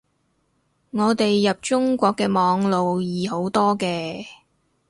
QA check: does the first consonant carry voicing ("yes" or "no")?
yes